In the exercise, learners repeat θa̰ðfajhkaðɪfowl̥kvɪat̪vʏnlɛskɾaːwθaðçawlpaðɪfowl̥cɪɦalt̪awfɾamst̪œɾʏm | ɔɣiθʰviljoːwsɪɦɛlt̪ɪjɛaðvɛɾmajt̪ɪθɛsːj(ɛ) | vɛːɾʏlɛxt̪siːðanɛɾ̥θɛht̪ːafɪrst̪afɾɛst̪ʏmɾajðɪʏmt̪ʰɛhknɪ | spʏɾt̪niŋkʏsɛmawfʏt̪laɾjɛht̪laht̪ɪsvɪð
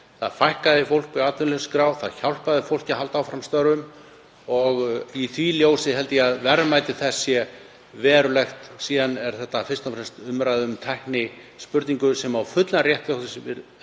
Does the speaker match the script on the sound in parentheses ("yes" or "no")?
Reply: yes